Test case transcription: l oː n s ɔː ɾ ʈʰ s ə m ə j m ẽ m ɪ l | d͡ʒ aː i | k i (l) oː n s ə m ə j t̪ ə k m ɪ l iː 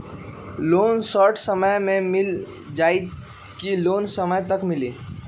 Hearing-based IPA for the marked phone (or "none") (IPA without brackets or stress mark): l